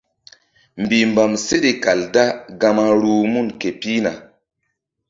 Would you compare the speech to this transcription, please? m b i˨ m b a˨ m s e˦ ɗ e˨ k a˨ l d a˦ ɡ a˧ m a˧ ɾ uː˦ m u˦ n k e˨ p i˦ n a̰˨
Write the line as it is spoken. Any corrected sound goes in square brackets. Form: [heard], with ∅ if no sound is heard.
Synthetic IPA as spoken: m b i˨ m b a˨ m s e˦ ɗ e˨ k a˨ l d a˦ ɡ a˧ m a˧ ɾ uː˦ m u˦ n k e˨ p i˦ n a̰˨